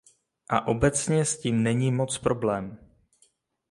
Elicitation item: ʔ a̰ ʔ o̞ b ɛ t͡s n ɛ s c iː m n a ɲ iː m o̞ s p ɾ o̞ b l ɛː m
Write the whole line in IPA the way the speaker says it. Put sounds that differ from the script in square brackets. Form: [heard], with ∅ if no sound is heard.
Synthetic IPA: ʔ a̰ ʔ o̞ b ɛ t͡s [ɲ] ɛ s c iː m n [ɛ] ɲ iː m o̞ [t͡s] p ɾ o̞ b l ɛː m